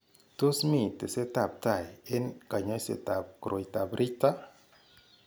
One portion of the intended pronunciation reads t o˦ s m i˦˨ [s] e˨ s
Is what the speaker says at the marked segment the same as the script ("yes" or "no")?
no